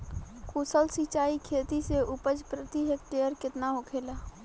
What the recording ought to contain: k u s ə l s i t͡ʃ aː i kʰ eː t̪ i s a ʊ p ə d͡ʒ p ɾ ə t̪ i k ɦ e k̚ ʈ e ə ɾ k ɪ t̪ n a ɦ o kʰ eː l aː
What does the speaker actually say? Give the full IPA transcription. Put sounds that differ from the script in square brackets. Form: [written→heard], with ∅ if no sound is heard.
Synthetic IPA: k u s ə l s i t͡ʃ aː i kʰ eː t̪ i s [a→e] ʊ p ə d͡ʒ p ɾ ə t̪ i [k→∅] ɦ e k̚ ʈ e ə ɾ k ɪ t̪ n a ɦ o kʰ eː l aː